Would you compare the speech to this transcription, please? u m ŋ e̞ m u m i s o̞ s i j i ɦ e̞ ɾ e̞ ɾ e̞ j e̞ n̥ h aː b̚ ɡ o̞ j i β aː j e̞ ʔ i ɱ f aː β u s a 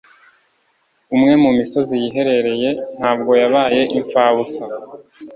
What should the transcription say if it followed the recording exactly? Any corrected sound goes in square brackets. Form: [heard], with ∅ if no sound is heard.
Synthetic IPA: u m ŋ e̞ m u m i s o̞ [z] i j i ɦ e̞ ɾ e̞ ɾ e̞ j e̞ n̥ h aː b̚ ɡ o̞ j [a] β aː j e̞ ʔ i ɱ f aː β u s a